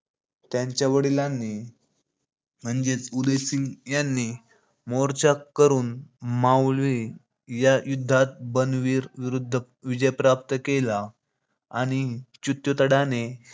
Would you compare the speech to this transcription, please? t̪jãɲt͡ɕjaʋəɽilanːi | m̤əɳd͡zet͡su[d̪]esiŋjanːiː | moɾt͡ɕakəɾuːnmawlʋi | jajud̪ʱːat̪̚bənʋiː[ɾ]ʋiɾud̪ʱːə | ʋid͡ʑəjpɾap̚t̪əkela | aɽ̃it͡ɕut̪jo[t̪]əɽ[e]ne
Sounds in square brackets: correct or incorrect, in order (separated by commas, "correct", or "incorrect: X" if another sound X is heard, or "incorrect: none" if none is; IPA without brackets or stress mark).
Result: correct, correct, correct, incorrect: a